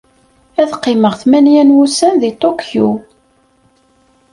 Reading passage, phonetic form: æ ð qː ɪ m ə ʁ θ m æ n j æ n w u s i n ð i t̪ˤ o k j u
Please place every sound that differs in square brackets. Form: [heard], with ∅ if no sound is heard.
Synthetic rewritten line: æ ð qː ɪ m ə ʁ θ m æ n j æ n w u s [æ] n ð i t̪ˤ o k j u